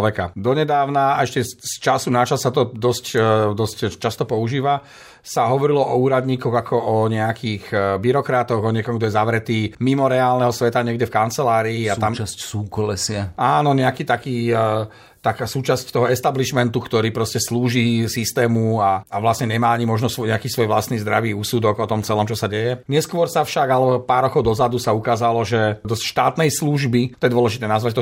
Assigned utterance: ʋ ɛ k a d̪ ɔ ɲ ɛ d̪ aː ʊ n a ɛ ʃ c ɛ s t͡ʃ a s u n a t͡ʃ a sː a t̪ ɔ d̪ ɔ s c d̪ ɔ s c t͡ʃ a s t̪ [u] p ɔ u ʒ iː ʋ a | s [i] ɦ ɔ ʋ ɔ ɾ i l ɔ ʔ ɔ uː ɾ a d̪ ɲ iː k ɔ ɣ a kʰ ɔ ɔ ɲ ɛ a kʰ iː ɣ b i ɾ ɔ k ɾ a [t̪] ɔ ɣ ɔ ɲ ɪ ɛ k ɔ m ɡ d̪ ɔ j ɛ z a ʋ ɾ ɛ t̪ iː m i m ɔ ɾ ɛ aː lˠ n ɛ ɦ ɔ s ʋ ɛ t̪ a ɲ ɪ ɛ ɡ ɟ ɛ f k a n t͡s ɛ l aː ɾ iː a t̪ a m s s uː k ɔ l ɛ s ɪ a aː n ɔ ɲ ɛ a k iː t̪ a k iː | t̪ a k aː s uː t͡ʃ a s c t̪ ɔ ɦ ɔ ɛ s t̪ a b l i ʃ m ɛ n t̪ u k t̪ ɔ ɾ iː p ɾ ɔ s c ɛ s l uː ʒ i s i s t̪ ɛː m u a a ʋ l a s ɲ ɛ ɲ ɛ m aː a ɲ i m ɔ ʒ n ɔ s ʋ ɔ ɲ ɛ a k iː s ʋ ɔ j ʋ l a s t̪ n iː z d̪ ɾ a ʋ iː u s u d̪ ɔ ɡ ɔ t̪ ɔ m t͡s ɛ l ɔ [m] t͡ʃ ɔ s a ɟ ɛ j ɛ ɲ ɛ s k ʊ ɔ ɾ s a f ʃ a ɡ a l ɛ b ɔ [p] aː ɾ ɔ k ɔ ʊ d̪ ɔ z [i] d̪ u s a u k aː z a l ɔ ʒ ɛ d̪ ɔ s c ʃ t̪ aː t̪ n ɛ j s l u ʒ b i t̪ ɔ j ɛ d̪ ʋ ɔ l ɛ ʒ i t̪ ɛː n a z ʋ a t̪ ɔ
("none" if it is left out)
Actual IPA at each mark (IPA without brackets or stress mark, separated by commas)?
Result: ɔ, a, t̪, m, p, a